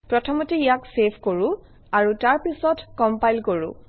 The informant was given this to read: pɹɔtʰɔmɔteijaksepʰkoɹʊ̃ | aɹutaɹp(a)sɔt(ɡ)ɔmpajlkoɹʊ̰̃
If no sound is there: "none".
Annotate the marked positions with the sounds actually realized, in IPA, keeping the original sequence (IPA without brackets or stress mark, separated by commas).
i, k